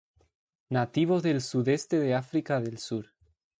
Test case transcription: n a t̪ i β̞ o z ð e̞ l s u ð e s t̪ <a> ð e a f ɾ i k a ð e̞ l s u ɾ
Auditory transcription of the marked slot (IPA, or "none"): e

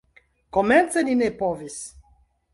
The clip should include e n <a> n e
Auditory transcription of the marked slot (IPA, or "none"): i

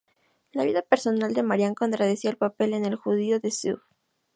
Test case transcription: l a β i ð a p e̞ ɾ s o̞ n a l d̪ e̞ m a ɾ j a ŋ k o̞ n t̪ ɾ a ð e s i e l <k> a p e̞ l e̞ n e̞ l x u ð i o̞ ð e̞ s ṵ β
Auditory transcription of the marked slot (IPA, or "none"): p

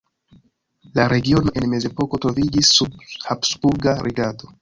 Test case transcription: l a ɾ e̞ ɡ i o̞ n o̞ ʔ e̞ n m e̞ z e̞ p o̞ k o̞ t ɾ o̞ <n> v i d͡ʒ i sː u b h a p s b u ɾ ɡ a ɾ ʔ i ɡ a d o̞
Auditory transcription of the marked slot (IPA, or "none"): none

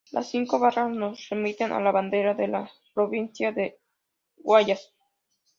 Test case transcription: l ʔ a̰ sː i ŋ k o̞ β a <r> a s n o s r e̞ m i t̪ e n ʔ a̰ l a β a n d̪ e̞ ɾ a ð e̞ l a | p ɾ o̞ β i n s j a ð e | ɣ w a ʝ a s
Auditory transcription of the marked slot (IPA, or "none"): r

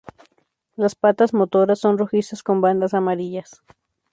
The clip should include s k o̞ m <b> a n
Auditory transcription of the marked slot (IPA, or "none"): b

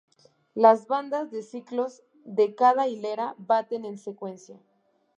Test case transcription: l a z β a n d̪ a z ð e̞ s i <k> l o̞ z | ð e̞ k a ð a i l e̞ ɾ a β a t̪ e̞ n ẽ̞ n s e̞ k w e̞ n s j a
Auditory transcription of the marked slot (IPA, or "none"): k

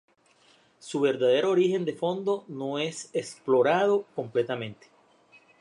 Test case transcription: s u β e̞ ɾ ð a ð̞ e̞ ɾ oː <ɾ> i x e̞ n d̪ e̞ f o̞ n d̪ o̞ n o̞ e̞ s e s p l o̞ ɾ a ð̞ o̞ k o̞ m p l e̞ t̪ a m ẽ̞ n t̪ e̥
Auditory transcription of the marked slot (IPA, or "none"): ɾ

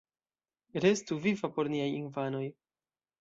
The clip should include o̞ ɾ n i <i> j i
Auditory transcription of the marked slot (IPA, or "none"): a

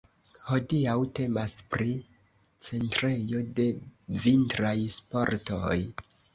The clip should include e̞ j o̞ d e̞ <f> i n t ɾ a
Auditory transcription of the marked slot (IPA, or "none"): v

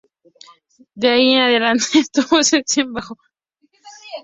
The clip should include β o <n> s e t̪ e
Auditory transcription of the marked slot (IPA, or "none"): none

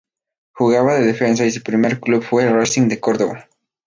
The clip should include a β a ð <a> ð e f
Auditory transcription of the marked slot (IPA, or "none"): e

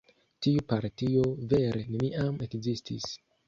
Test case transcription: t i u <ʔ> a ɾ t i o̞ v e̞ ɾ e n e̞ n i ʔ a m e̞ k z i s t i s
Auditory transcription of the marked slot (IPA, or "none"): p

